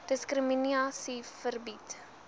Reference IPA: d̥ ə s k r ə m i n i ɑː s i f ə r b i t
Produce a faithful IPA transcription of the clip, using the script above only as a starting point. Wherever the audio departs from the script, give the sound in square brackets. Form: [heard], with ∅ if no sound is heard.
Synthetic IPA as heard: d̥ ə s k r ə m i n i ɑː s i f ə r b i t